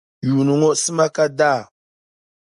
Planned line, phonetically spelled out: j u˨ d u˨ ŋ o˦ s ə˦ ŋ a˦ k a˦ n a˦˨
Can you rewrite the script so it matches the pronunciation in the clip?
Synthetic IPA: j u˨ n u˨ ŋ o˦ s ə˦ m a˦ k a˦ d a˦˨